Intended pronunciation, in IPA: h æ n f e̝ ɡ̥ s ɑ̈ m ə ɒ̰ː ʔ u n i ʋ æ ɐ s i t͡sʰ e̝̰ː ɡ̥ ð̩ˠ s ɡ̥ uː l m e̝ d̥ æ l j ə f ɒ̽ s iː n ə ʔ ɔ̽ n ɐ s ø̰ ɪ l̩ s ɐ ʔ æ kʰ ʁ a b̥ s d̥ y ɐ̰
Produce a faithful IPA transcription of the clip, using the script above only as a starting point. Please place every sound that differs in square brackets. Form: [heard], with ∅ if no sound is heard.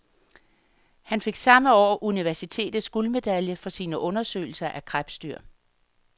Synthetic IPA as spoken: h æ n f e̝ ɡ̥ s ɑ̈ m ə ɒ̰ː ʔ u n i ʋ æ ɐ s i t͡sʰ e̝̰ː [d̥] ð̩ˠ s ɡ̥ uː l m e̝ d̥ æ l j ə f ɒ̽ s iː n ə ʔ ɔ̽ n ɐ s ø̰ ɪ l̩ s ɐ ʔ æ kʰ ʁ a b̥ s d̥ y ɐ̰